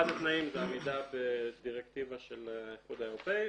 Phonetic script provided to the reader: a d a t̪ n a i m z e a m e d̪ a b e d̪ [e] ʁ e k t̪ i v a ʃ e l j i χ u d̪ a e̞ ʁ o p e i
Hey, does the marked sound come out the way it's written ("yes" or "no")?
no